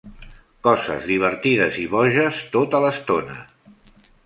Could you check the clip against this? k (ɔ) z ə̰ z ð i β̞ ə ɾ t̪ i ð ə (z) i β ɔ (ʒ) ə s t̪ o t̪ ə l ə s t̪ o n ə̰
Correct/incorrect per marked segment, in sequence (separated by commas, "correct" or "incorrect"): correct, correct, correct